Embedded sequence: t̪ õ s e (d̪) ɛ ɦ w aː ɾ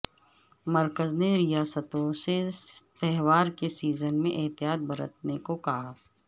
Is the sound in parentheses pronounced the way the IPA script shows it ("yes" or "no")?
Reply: no